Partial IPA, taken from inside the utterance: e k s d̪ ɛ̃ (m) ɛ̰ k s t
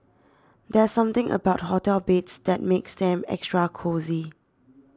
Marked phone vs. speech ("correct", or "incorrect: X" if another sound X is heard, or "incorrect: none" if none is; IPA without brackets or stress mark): correct